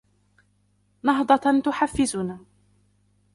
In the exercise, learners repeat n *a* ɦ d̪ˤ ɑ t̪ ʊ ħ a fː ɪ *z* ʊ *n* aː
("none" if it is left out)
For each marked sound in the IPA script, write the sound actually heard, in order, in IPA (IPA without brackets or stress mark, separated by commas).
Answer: ɑ, z, n